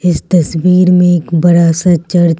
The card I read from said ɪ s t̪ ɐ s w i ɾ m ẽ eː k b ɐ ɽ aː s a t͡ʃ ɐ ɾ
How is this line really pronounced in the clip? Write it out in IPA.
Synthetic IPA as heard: ɪ s t̪ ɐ s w iː ɾ m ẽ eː k b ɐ ɾ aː s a t͡ʃ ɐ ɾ